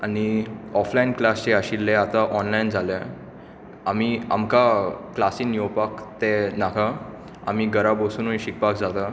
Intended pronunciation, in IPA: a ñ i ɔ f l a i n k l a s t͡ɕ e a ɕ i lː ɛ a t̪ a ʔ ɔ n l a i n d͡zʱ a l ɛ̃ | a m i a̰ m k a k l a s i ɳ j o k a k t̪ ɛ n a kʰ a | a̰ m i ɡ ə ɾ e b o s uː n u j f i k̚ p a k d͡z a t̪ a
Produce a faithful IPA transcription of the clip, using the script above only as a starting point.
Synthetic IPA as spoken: a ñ i ɔ f l a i n k l a s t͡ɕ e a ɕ i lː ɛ a t̪ a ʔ ɔ n l a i n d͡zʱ a l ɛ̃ | a m i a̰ m k a k l a s i n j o p a k t̪ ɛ n a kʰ a | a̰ m i ɡ ə ɾ a b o s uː n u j ɕ i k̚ p a k d͡z a t̪ a